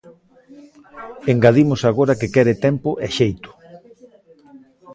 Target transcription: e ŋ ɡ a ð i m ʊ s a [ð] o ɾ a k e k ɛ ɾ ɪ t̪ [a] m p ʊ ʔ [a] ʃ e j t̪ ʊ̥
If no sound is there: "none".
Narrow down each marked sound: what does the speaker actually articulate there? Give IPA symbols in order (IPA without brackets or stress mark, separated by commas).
ɣ, ɛ, ɛ